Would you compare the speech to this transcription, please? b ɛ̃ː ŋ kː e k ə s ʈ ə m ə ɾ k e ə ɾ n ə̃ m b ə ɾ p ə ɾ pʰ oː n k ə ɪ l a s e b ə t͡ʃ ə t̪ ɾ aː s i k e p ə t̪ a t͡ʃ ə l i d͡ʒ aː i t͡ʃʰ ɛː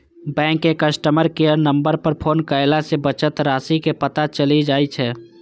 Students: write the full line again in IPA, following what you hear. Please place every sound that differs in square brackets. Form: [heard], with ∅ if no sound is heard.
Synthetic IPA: b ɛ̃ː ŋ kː e k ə s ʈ ə m ə ɾ k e ə ɾ n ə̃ m b ə ɾ p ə ɾ pʰ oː n k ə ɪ l a s e b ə t͡ʃ ə t̪ ɾ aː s i k e p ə t̪ a t͡ʃ ə l i d͡ʒ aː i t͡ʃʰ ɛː

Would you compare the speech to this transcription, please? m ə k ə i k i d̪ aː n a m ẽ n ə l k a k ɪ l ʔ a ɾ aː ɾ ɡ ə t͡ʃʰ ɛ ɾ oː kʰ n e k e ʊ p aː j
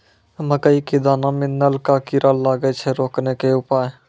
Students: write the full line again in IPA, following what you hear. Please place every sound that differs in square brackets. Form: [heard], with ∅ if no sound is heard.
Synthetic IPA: m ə k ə i k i d̪ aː n a m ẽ n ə l k a k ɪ [ɾ] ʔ a [l] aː [∅] ɡ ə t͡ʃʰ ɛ ɾ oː [k] n e k e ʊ p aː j

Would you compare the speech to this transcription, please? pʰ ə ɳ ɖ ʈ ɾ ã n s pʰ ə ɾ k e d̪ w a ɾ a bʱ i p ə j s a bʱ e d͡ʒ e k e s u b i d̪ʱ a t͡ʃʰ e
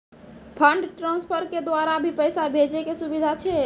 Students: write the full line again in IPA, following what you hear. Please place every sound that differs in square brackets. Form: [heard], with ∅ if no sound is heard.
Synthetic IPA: pʰ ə ɳ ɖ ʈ ɾ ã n s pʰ ə ɾ k e d̪ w a ɾ a bʱ i p ə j s a bʱ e d͡ʒ e k e s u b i d̪ʱ a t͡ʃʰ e

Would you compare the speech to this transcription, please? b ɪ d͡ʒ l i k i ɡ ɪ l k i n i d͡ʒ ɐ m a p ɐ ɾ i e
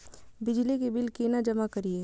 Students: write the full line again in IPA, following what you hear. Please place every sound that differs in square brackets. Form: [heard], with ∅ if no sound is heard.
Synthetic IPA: b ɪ d͡ʒ l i k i [b] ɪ l k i n [a] d͡ʒ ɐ m a [k] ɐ ɾ i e

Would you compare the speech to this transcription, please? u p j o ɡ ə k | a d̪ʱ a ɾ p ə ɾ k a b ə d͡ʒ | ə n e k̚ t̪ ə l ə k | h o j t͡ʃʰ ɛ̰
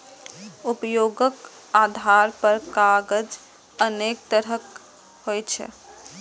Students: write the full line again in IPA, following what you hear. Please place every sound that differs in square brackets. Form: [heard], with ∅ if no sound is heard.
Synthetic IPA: u p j o ɡ ə k | a d̪ʱ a ɾ p ə ɾ k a [ɡ] ə d͡ʒ | ə n e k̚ t̪ ə [ɾ] ə k | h o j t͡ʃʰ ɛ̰

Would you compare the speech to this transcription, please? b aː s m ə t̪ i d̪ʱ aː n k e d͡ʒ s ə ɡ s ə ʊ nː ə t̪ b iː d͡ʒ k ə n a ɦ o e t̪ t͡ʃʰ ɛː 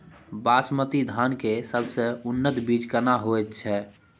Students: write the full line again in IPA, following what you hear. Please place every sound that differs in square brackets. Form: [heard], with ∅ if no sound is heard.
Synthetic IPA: b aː s m ə t̪ i d̪ʱ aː n k e [∅] s ə [b] s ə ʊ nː ə t̪ b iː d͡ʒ k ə n a ɦ o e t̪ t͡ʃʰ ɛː

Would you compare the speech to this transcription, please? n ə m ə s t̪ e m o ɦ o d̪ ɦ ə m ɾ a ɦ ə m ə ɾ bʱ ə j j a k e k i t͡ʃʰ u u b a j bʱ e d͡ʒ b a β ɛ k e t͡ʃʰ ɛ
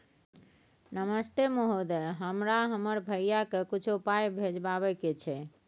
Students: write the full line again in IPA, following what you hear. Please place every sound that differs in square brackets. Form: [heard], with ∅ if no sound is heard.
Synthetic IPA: n ə m ə s t̪ e m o ɦ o d̪ ɦ ə m ɾ a ɦ ə m ə ɾ bʱ ə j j a k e k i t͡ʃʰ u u [p] a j bʱ e d͡ʒ b a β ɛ k e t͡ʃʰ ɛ

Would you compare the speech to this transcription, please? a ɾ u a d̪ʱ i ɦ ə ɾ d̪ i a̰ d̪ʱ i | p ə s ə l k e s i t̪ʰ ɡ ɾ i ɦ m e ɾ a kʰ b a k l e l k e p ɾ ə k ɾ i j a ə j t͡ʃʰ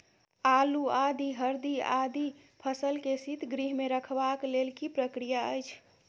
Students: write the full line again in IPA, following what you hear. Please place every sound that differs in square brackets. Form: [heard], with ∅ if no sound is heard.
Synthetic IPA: a [l] u a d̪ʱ i ɦ ə ɾ d̪ i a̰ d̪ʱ i | [pʰ] ə s ə l k e s i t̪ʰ ɡ ɾ i ɦ m e ɾ [ə] kʰ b a k l e l k [i] p ɾ ə k ɾ i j a ə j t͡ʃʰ

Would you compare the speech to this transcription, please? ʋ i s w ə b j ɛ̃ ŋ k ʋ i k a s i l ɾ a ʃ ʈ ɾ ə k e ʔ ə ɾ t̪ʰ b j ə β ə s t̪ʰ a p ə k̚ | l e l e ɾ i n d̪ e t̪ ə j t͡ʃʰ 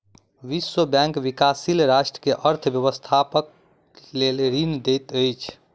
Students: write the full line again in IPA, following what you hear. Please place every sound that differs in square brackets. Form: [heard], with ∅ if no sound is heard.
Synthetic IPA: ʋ i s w ə b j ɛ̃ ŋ k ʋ i k a s i l ɾ a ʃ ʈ ɾ ə k e ʔ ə ɾ t̪ʰ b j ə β ə s t̪ʰ a p ə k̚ | l e l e ɾ i n d̪ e t̪ ə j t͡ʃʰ

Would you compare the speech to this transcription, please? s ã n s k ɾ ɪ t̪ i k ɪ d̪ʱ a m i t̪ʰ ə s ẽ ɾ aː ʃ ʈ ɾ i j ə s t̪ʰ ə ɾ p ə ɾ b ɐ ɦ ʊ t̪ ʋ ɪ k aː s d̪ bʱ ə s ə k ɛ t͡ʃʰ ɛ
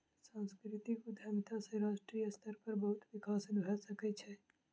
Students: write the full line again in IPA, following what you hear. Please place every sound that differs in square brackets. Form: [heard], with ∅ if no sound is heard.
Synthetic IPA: s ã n s k ɾ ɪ t̪ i k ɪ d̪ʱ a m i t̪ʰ [a] s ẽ ɾ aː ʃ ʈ ɾ i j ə s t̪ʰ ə ɾ p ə ɾ b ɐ ɦ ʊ t̪ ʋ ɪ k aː s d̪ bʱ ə s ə k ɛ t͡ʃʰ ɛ

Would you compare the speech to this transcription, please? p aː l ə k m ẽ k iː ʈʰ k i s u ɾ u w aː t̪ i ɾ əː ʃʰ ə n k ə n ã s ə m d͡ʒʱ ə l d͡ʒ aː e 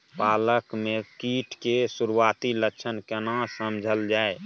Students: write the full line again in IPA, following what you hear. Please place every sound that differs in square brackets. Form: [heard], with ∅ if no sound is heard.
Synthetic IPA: p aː l ə k m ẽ k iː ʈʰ k [e] s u ɾ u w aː t̪ i [l] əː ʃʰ ə n k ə n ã s ə m d͡ʒʱ ə l d͡ʒ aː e

